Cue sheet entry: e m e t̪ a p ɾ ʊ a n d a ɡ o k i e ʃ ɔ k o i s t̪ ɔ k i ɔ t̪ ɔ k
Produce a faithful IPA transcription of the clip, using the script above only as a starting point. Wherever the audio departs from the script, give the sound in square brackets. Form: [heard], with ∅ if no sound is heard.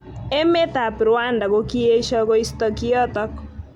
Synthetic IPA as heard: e m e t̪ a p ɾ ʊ a n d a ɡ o k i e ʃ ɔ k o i s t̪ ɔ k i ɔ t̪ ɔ k

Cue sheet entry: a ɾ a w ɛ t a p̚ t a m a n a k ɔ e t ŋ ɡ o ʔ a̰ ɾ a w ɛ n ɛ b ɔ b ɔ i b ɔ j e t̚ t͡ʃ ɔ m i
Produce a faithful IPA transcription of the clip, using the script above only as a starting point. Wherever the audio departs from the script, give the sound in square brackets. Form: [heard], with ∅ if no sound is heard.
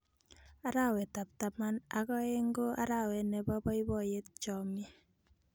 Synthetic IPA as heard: a ɾ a w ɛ t a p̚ t a m a n a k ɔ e [∅] ŋ ɡ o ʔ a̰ ɾ a w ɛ n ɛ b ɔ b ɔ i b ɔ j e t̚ t͡ʃ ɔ m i

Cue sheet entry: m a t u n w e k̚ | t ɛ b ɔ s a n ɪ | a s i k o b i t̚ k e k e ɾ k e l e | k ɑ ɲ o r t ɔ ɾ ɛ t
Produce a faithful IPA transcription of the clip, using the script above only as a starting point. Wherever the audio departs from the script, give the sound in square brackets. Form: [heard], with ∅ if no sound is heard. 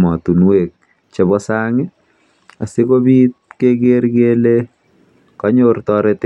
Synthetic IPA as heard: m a t u n w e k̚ | [t͡ʃ] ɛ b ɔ s a [ŋ] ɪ | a s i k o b i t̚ k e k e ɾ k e l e | k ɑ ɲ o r t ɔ ɾ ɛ t

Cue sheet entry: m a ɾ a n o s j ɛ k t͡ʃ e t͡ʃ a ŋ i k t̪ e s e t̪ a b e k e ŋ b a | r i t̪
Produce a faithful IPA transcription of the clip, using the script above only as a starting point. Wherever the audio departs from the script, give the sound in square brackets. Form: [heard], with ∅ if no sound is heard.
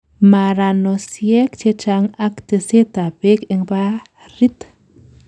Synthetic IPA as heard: m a ɾ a n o s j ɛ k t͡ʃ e t͡ʃ a ŋ [a] k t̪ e s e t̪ a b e k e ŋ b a | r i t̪

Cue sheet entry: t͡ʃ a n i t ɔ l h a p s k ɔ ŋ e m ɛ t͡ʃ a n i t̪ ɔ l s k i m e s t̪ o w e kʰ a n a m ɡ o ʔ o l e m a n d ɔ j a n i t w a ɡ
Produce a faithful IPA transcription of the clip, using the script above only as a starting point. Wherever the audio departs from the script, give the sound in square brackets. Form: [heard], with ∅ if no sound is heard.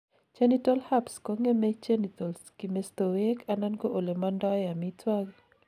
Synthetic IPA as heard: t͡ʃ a n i t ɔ l h a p s k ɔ ŋ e m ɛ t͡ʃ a n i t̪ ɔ l s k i m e s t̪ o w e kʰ a n a [n] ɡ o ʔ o l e m a n d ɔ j a [m] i t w a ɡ

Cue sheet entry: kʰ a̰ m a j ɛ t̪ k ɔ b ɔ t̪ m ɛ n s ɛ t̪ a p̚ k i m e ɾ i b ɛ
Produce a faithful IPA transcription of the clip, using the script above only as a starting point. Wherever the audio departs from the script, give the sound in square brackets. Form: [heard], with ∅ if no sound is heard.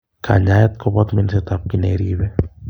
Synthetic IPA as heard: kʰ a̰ [ɲ] a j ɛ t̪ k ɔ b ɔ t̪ m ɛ n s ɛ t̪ a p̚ k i [n] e ɾ i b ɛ

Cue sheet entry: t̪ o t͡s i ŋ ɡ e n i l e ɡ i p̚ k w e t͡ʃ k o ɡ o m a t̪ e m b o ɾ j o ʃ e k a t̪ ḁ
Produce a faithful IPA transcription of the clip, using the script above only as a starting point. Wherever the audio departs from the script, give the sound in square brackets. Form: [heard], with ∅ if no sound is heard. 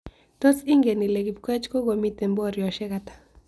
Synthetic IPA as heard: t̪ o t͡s i ŋ ɡ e n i l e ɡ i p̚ k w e t͡ʃ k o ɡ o m [i] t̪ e m b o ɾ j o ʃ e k a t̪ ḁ

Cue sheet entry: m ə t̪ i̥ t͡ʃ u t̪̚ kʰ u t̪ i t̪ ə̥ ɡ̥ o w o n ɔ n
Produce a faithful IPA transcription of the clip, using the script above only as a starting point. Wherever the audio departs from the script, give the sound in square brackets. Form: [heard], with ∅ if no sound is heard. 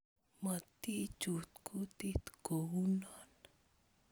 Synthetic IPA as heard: m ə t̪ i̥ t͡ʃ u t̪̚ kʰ u t̪ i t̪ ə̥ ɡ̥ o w [u] n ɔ n

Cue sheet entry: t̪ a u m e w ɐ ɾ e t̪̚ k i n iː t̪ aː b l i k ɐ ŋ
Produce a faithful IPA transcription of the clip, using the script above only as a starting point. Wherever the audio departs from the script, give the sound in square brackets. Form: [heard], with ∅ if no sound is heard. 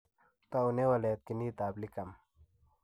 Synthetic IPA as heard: t̪ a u [n] e w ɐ [l] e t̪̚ k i n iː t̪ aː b l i k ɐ [m]

